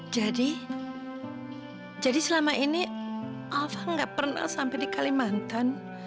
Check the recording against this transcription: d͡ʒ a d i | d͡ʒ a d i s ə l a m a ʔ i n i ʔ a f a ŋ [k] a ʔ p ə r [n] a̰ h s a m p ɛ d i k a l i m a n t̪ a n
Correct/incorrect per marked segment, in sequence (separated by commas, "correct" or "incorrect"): incorrect, correct